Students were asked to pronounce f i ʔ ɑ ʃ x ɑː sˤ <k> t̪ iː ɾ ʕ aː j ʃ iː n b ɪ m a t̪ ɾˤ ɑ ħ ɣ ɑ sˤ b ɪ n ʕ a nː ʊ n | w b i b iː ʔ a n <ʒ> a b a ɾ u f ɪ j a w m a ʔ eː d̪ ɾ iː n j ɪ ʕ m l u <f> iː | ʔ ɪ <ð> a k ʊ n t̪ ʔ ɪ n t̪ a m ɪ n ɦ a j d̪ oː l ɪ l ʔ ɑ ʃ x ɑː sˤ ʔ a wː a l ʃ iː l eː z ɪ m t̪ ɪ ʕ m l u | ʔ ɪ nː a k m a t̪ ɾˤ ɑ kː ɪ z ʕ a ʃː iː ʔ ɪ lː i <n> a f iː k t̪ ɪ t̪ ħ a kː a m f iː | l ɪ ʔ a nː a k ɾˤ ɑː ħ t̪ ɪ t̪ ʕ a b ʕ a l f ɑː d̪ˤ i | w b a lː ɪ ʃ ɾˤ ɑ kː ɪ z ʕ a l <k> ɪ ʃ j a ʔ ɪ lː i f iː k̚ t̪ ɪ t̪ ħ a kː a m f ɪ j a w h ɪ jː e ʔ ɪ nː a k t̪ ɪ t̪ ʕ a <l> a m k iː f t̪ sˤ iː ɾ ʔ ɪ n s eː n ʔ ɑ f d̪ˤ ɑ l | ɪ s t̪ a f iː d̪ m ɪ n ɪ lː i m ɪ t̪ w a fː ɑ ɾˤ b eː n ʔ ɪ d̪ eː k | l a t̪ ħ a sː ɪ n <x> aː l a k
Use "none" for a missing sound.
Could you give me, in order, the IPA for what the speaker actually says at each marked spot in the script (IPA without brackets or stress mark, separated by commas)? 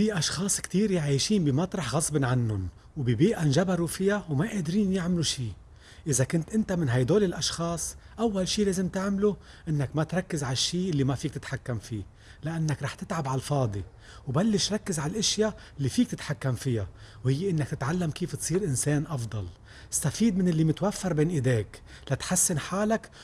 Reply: k, ʒ, ʃ, z, m, ʔ, lː, ħ